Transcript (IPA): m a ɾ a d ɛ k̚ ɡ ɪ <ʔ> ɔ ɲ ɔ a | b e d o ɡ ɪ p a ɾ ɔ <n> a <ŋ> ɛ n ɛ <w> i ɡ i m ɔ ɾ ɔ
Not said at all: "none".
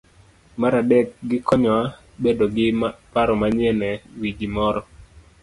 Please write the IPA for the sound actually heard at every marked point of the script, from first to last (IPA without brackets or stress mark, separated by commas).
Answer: k, m, ɲ, w